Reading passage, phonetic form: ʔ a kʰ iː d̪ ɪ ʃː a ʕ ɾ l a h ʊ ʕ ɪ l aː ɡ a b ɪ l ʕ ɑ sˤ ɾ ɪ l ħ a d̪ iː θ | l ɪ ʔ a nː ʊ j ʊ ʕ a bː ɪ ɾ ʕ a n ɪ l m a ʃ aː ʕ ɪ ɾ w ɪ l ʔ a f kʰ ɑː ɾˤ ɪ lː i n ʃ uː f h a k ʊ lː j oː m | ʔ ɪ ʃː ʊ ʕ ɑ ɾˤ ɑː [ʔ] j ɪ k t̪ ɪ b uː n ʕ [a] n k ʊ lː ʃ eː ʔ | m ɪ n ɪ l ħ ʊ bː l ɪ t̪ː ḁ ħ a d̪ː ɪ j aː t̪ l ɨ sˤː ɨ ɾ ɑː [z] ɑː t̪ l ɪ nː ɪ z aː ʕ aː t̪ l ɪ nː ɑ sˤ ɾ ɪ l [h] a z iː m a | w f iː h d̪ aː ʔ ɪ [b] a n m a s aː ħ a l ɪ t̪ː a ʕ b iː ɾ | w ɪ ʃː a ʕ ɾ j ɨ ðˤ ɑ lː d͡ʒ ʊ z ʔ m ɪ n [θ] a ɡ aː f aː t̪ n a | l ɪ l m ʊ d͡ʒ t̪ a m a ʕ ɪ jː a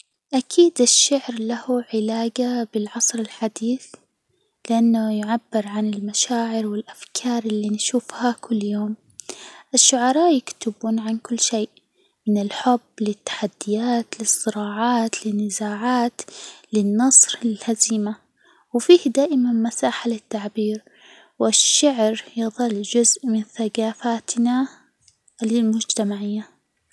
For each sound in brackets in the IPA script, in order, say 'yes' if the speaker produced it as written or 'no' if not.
yes, yes, no, yes, no, yes

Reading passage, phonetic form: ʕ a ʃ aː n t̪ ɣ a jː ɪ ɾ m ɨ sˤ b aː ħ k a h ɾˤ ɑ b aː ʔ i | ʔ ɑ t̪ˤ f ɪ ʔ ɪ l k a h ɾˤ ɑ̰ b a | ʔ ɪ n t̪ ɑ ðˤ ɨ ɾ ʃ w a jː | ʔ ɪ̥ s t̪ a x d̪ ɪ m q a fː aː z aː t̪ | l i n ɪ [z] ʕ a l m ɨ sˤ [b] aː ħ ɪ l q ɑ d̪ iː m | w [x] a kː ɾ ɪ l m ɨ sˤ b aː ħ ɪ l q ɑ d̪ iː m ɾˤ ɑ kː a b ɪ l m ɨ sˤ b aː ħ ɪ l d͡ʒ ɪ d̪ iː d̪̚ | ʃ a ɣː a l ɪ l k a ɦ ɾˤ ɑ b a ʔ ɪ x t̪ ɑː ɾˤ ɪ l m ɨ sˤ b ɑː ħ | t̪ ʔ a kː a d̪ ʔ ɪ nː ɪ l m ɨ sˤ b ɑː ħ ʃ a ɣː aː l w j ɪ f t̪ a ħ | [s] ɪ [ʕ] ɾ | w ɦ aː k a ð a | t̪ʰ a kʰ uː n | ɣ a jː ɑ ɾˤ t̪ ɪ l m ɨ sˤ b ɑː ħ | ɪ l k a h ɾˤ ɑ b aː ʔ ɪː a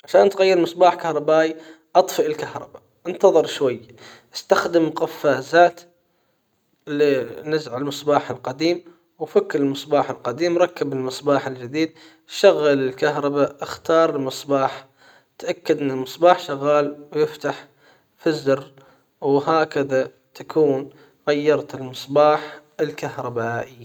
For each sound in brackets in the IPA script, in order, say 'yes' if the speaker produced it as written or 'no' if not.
yes, yes, no, no, no

